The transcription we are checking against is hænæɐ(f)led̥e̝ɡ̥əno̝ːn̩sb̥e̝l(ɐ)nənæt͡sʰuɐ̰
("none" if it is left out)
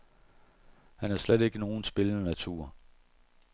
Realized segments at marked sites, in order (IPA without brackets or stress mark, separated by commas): s, ə